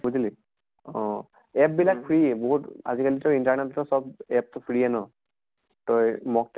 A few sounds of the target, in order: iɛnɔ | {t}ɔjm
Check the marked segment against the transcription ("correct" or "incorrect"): correct